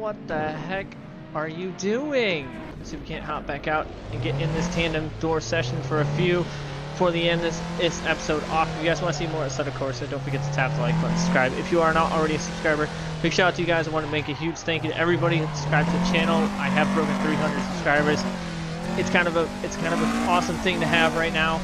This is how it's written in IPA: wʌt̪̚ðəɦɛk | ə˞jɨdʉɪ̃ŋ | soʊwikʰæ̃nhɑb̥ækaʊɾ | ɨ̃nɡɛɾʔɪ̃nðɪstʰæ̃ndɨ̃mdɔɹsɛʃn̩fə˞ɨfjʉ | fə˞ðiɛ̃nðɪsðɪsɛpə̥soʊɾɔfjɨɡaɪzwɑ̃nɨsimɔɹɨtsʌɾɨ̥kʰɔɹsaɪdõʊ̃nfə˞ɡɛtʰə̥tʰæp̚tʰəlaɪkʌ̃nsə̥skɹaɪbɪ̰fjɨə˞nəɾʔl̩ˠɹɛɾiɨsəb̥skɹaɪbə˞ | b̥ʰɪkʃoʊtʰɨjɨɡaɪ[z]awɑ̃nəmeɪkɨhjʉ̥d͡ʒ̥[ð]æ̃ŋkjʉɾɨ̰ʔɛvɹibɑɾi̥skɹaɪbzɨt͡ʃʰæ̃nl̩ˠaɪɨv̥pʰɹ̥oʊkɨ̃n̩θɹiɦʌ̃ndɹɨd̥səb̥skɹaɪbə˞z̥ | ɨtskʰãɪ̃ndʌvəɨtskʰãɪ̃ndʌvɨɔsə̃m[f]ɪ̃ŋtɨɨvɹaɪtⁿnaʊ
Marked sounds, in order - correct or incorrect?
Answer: correct, incorrect: θ, incorrect: θ

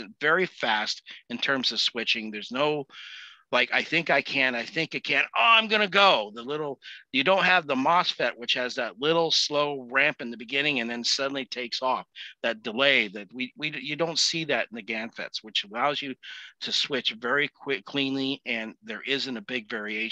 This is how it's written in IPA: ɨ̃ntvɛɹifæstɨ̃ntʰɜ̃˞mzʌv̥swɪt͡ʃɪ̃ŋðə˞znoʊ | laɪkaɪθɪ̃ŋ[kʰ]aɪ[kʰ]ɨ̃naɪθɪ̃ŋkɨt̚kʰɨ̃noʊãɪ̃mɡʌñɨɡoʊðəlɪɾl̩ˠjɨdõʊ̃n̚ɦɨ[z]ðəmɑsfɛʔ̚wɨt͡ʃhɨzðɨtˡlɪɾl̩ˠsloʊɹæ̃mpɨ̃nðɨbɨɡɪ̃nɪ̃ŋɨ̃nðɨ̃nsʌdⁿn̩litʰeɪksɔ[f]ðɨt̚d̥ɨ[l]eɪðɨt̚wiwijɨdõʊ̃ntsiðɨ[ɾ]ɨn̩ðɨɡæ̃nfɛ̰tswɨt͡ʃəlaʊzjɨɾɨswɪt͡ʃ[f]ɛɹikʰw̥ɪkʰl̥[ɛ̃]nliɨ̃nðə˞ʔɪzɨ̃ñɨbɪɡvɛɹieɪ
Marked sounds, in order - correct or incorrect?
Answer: incorrect: k, correct, incorrect: v, correct, correct, correct, incorrect: v, incorrect: ĩ

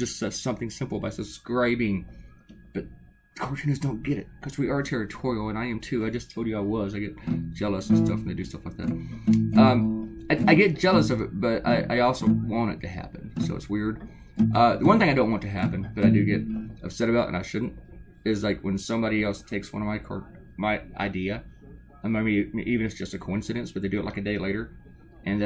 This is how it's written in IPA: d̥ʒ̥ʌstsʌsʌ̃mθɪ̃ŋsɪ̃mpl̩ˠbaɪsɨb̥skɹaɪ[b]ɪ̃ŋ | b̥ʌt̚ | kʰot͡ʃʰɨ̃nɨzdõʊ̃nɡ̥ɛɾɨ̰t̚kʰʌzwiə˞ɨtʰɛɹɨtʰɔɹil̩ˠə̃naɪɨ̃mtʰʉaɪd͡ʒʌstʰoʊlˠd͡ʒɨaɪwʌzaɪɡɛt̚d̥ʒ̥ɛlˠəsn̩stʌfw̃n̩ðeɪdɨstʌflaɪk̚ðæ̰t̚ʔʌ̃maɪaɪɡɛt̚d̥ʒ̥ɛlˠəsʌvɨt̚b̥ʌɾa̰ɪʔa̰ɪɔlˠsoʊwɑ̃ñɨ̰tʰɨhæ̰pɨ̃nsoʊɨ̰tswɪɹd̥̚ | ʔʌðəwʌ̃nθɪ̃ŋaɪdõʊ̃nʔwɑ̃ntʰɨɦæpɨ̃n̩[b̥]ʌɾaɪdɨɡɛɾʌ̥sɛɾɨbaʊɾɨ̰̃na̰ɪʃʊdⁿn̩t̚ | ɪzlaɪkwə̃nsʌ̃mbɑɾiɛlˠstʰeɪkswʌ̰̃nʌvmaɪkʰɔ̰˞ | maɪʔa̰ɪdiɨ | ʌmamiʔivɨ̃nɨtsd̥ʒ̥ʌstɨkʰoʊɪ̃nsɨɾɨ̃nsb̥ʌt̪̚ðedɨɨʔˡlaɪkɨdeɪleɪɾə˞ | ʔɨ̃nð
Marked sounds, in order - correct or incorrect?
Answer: correct, correct

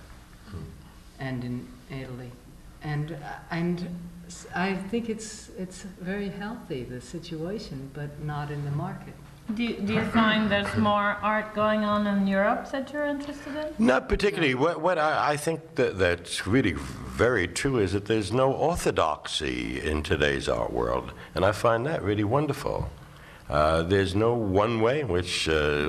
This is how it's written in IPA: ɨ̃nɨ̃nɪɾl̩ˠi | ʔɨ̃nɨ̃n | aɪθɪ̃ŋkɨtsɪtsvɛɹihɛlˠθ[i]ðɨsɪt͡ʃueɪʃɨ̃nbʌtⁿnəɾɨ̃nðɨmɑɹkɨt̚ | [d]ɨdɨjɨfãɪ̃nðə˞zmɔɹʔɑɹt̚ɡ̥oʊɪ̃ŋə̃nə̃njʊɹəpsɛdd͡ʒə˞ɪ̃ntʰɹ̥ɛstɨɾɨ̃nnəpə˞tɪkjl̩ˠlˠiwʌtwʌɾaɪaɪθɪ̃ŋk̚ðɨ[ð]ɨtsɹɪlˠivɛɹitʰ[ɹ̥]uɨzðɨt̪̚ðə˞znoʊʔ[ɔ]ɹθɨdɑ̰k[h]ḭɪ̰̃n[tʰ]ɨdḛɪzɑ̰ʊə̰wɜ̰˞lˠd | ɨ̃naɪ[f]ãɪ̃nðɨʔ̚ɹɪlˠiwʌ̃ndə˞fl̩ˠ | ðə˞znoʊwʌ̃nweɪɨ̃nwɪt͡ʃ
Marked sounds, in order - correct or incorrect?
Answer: correct, correct, correct, correct, correct, incorrect: s, correct, correct

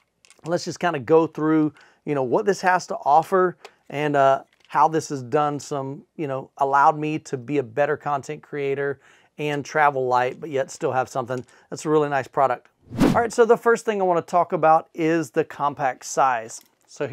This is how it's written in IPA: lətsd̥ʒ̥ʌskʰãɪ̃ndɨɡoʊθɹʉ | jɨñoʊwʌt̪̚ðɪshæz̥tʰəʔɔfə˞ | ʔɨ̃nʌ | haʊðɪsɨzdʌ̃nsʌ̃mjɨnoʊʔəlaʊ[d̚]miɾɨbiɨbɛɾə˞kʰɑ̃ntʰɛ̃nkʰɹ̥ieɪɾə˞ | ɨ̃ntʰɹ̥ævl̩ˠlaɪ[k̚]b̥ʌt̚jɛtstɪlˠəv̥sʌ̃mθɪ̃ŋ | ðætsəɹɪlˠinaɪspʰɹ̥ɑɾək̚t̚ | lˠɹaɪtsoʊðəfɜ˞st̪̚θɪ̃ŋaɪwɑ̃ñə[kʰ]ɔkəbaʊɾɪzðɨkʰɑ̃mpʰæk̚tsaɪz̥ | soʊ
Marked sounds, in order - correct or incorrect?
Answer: correct, incorrect: t̚, incorrect: tʰ

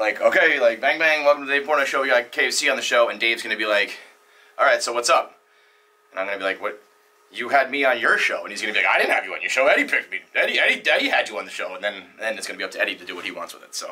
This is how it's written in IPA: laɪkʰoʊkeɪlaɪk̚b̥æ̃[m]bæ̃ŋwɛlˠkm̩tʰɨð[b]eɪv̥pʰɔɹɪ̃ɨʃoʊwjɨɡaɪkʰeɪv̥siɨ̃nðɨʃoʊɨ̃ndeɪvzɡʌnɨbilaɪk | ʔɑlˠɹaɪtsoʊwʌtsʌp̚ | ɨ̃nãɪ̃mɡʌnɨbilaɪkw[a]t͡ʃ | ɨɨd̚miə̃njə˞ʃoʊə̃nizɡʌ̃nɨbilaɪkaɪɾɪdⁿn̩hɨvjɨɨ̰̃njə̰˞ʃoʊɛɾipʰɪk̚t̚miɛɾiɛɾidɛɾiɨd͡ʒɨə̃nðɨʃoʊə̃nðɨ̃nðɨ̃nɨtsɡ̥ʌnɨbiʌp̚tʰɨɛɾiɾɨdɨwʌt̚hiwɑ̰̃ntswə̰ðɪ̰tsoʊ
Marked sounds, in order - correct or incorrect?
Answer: incorrect: ŋ, incorrect: d, incorrect: ʌ

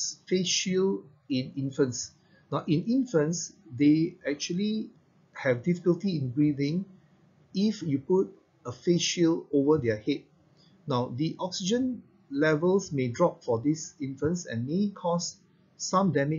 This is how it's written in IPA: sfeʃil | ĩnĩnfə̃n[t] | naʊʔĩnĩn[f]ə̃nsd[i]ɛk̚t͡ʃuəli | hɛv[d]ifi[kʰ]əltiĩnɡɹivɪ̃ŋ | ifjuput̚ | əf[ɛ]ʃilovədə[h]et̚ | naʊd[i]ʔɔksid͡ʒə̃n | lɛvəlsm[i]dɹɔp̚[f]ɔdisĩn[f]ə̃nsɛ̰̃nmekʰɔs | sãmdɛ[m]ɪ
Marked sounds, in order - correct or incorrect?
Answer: incorrect: s, correct, incorrect: e, correct, incorrect: k, incorrect: e, correct, correct, incorrect: e, correct, correct, correct

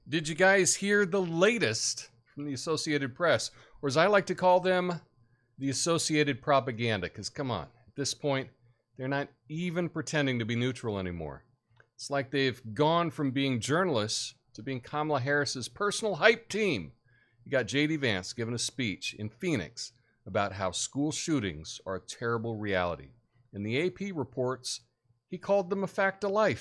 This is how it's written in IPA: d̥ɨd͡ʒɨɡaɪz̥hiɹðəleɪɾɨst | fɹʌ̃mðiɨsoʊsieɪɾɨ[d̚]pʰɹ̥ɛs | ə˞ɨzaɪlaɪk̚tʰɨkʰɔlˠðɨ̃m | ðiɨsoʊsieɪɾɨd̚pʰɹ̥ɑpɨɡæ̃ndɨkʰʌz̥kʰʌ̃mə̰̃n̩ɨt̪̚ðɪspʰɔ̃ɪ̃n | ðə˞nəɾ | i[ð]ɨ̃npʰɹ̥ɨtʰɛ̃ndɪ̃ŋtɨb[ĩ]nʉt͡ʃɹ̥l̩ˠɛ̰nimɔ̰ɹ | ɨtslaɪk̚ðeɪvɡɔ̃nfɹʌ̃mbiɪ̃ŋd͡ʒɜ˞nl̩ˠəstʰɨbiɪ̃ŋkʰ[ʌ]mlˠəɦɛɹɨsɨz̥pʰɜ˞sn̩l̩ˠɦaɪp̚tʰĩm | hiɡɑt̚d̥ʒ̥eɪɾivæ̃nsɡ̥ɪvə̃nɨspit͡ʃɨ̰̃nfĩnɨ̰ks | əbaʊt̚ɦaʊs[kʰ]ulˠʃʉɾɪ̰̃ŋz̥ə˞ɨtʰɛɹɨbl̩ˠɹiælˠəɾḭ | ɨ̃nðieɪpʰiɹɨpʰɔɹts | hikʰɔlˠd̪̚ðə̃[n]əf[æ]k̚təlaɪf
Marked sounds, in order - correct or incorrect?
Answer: correct, incorrect: v, incorrect: i, incorrect: ɑ, incorrect: k, incorrect: m, correct

